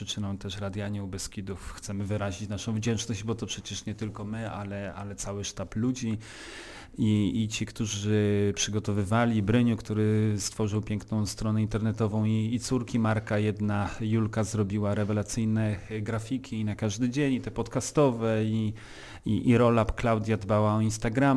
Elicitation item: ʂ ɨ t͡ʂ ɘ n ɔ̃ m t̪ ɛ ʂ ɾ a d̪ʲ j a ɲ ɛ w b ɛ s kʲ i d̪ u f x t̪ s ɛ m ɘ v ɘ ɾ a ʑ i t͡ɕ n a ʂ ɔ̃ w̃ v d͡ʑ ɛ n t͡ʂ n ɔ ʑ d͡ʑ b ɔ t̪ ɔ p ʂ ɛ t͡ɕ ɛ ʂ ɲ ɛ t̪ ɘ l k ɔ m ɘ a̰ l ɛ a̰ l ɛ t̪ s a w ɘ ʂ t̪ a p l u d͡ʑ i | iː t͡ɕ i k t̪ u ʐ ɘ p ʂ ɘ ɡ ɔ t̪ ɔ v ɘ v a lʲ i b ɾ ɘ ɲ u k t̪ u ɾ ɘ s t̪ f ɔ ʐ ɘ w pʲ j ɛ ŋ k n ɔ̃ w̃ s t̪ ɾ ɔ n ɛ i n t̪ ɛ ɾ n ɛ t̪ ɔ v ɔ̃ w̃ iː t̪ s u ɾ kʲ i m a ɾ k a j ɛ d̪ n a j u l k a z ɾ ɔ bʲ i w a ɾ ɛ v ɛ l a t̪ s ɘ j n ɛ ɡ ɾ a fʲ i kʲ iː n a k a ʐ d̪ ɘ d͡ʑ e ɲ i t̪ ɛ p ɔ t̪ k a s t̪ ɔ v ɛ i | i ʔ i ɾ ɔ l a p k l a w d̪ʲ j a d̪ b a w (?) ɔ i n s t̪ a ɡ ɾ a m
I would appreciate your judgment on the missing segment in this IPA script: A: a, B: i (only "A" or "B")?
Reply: A